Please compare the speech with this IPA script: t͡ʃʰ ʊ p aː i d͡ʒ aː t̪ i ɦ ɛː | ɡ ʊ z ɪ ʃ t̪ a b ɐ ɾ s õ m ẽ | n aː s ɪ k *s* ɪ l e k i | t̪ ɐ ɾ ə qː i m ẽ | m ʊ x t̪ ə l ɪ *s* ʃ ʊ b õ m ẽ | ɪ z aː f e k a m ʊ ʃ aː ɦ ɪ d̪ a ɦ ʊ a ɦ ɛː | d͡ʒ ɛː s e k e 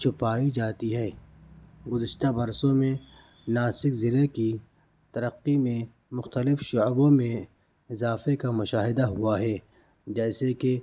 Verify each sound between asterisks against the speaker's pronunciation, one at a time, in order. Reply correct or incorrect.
incorrect: z, incorrect: f

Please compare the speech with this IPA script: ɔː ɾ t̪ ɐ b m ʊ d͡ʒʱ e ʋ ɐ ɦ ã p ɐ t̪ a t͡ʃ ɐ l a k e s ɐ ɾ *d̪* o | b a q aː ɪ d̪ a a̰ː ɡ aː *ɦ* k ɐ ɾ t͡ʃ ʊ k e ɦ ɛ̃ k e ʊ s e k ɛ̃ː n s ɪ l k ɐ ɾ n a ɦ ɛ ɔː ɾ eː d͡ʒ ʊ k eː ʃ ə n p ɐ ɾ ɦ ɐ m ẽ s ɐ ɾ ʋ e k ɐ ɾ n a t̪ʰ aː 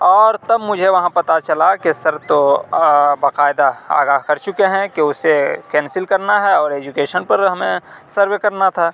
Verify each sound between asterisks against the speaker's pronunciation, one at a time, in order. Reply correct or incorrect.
incorrect: t̪, correct

